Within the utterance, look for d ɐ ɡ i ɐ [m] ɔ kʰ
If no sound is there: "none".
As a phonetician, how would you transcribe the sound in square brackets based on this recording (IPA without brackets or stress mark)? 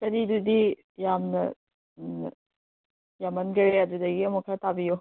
m